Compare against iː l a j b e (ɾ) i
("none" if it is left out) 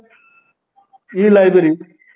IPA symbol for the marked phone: ɾ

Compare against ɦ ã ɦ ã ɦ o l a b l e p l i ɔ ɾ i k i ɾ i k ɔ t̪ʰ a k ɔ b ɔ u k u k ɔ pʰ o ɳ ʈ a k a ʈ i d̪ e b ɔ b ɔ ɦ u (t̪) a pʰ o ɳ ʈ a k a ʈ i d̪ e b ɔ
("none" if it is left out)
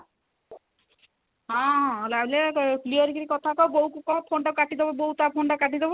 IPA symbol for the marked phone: t̪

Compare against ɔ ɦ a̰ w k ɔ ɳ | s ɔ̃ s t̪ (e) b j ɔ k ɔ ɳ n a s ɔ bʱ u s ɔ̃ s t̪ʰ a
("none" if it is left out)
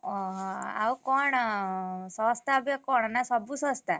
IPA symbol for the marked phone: a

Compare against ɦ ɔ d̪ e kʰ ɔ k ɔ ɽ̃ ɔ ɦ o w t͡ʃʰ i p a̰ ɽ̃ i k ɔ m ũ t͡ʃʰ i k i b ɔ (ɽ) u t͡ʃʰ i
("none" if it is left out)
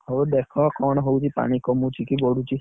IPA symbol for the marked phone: ɽ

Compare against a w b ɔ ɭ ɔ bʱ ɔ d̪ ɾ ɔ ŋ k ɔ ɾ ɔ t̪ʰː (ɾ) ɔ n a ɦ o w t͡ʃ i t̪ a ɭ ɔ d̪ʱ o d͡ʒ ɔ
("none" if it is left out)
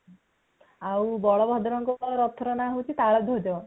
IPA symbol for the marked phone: ɾ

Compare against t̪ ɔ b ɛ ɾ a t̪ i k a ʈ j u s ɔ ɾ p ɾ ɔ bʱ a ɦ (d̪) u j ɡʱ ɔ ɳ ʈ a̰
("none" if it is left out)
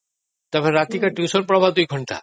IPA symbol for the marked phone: d̪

